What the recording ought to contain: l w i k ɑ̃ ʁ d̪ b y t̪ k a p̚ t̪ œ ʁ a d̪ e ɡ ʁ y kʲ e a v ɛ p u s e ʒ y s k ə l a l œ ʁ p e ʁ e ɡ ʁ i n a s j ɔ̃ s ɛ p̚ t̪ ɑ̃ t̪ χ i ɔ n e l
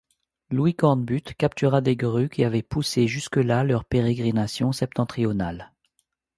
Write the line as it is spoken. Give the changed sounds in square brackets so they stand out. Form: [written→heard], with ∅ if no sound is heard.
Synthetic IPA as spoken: l w i k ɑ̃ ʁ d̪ b y t̪ k a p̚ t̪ [œ→y] ʁ a d̪ e ɡ ʁ y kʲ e a v ɛ p u s e ʒ y s k ə l a l œ ʁ p e ʁ e ɡ ʁ i n a s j ɔ̃ s ɛ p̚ t̪ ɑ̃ t̪ χ i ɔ n [e→a] l